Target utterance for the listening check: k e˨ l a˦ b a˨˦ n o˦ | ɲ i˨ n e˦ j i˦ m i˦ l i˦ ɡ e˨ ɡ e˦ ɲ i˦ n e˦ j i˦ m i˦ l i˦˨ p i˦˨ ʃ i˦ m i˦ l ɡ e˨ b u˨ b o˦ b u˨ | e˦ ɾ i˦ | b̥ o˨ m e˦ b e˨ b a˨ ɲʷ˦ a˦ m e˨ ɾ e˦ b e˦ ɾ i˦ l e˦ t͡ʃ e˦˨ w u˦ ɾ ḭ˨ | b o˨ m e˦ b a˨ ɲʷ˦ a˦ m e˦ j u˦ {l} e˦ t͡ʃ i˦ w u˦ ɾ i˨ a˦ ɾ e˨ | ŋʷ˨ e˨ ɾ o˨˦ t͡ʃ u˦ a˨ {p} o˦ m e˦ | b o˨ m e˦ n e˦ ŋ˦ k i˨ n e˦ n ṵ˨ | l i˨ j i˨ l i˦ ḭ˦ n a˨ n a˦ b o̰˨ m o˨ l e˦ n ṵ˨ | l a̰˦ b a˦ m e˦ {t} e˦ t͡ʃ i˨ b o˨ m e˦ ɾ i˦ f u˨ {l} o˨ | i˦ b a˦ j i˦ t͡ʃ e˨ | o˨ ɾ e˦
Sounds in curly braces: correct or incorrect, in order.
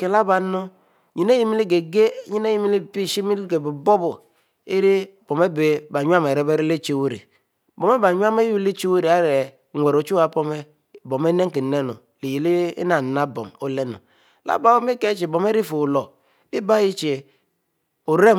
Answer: correct, correct, incorrect, correct

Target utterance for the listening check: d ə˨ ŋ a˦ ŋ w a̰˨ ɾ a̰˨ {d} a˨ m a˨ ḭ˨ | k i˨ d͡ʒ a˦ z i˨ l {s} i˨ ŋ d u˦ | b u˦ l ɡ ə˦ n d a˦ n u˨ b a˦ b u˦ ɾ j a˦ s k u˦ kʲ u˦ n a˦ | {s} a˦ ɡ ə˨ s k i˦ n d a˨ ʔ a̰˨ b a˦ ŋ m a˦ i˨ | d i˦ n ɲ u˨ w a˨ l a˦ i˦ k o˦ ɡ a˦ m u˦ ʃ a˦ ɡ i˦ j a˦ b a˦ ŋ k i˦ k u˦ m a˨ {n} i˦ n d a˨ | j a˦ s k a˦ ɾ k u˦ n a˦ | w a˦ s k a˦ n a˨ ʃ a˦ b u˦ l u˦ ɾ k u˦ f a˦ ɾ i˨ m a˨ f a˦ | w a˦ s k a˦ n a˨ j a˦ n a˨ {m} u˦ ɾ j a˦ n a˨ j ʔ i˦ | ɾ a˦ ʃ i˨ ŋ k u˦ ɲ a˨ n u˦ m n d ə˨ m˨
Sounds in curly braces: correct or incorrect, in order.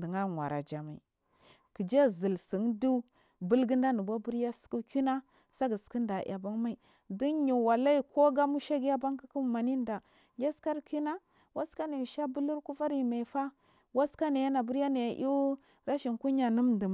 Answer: incorrect, correct, correct, correct, incorrect

